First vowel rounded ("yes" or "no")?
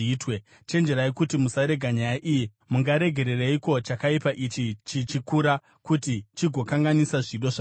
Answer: no